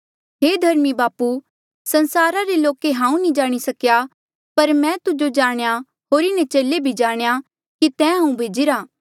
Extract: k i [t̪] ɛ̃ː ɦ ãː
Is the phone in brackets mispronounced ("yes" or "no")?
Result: no